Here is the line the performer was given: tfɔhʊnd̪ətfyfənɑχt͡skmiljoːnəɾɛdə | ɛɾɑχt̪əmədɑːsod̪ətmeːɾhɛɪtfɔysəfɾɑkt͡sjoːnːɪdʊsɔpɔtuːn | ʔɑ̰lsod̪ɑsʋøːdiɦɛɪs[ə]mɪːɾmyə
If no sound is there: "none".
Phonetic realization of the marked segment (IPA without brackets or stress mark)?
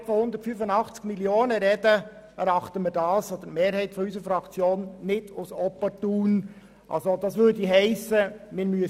ə